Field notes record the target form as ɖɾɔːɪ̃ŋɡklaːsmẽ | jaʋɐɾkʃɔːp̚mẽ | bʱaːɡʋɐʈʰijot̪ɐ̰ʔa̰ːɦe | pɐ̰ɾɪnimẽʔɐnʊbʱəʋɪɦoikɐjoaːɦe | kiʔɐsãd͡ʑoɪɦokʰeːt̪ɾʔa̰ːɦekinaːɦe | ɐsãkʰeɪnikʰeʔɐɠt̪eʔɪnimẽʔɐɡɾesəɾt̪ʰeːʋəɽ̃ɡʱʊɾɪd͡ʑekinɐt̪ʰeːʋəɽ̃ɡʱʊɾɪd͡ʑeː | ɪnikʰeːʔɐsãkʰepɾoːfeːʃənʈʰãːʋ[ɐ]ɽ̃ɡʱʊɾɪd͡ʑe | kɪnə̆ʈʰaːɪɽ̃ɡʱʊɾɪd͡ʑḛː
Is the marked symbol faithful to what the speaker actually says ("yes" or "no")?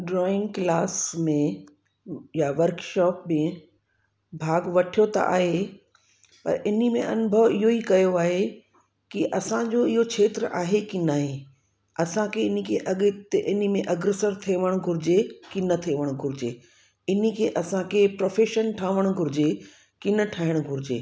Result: no